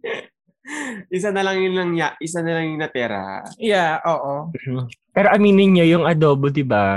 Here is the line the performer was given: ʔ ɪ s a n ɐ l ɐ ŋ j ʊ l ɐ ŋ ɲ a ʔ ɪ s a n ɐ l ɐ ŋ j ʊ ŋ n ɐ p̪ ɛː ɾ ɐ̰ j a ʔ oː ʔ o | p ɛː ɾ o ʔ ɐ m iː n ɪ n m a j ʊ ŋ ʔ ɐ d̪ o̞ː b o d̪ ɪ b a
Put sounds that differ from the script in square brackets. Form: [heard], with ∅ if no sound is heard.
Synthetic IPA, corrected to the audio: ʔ ɪ s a n ɐ l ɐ ŋ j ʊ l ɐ ŋ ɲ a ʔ ɪ s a n ɐ l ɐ ŋ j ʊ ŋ n ɐ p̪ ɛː ɾ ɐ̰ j a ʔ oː ʔ o | p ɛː ɾ o ʔ ɐ m iː n ɪ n [ɲ] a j ʊ ŋ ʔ ɐ d̪ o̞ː b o d̪ ɪ b a